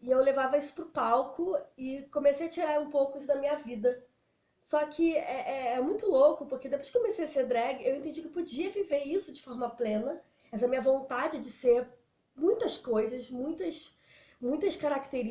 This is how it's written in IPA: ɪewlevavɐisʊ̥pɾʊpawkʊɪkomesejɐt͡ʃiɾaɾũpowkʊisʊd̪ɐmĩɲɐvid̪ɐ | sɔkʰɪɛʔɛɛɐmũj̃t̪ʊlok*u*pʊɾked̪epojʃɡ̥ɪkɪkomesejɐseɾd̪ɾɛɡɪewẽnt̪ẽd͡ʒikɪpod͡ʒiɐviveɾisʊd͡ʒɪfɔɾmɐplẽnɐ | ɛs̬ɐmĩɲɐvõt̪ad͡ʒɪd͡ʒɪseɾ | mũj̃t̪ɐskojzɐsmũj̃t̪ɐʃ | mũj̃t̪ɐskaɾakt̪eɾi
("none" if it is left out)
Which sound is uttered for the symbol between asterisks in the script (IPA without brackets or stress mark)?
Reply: ʊ